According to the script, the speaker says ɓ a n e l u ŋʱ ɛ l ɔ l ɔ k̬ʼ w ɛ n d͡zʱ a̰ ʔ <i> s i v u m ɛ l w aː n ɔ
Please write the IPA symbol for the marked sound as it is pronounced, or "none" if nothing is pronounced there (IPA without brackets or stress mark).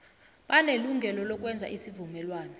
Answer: i